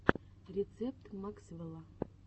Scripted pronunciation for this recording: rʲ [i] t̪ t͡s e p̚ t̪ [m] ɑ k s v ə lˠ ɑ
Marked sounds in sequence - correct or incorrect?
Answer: incorrect: e, correct

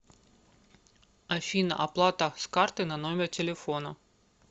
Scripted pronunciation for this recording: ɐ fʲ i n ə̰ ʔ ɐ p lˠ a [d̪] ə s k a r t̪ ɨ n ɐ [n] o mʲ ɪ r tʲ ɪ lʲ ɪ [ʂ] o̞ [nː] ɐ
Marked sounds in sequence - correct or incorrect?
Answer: incorrect: t̪, correct, incorrect: f, incorrect: n

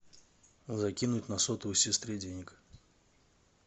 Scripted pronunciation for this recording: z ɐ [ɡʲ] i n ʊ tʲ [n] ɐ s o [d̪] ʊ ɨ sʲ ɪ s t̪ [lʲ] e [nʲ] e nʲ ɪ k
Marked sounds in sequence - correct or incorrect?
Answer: incorrect: kʲ, correct, incorrect: t̪, incorrect: ɾʲ, incorrect: dʲ

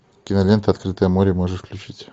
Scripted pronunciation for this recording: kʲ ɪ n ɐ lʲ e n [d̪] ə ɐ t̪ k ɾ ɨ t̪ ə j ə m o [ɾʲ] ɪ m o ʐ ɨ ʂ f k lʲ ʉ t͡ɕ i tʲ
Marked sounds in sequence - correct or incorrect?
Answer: incorrect: t̪, correct

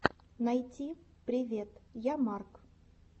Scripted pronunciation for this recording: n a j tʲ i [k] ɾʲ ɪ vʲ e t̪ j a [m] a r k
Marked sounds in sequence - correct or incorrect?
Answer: incorrect: p, correct

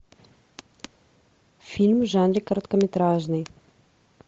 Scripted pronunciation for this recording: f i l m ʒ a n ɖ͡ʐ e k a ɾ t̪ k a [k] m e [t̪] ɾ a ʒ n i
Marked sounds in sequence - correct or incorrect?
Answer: incorrect: none, correct

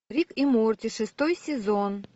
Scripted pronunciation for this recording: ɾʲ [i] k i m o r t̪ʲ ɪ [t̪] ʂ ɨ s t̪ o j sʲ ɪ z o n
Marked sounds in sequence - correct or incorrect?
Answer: correct, incorrect: none

